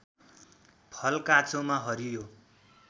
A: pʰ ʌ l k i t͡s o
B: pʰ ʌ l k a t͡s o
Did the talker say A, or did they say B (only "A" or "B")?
B